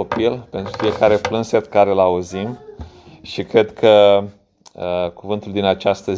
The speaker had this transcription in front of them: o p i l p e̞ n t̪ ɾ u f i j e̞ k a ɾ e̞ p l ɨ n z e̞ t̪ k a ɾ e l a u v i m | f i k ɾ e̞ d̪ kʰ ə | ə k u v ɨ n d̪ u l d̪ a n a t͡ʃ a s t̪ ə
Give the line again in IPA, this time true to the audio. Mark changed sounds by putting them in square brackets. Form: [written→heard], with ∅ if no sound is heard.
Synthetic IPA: o p i l p e̞ n t̪ ɾ u f i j e̞ k a ɾ e̞ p l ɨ n [z→s] e̞ t̪ k a ɾ e l a u [v→z] i m | [f→ʃ] i k ɾ e̞ d̪ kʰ ə | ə k u v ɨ n [d̪→t̪] u l d̪ [a→i] n a t͡ʃ a s t̪ ə